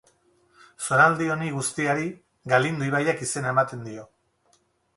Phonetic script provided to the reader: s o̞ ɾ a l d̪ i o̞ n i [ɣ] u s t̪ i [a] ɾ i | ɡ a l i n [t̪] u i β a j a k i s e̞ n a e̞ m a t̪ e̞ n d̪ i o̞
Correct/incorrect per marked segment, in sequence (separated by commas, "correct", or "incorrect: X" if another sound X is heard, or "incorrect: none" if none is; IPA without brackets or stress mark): correct, correct, incorrect: d̪